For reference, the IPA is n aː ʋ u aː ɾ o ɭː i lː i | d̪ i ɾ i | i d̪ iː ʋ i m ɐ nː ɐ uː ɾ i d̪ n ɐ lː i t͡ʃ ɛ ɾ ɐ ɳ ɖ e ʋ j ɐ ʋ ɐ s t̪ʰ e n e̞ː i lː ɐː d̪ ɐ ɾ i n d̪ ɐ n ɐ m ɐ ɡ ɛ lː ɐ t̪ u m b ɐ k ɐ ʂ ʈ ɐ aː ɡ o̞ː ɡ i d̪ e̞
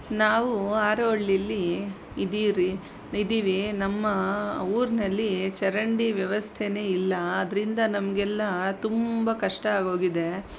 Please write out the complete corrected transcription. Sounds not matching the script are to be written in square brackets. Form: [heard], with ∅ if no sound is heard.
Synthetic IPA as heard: n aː ʋ u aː ɾ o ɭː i lː i | d̪ i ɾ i | i d̪ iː ʋ i [n] ɐ [mː] ɐ uː ɾ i [∅] n ɐ lː i t͡ʃ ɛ ɾ ɐ ɳ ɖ [i] ʋ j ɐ ʋ ɐ s t̪ʰ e n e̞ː i lː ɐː d̪ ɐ ɾ i n d̪ ɐ n ɐ m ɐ ɡ ɛ lː ɐ t̪ u m b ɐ k ɐ ʂ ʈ ɐ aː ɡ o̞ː ɡ i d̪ e̞